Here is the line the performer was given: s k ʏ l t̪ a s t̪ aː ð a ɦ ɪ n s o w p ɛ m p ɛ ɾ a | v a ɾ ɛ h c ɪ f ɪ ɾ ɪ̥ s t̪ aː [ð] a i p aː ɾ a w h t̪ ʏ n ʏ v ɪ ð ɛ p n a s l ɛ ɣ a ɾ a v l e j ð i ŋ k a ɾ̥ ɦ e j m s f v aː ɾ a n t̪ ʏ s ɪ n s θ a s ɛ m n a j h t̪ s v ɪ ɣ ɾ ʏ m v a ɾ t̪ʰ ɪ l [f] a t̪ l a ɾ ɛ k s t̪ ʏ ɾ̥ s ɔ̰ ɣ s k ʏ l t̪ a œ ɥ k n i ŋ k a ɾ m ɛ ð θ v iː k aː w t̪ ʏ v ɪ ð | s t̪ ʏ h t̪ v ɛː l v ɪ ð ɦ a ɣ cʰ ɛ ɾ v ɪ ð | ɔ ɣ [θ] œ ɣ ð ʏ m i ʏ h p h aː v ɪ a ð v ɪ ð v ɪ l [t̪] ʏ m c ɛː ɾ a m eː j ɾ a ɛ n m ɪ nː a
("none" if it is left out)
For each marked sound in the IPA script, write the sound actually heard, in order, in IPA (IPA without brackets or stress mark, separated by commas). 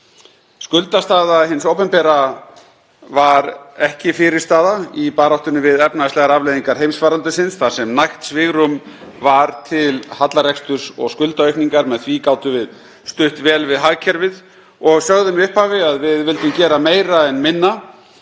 ð, h, s, t̪